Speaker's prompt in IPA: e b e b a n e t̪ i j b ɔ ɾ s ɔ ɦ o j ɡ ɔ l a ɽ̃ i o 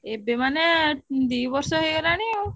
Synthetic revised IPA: e b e m a n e d̪ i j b ɔ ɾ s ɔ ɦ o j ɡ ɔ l a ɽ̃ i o